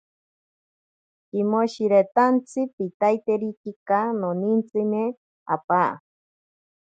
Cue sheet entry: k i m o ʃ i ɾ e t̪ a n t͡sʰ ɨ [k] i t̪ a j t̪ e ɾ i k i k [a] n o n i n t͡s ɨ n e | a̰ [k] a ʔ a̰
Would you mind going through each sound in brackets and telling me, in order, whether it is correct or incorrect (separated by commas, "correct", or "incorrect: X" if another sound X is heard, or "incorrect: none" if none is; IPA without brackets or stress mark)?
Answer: incorrect: p, correct, incorrect: p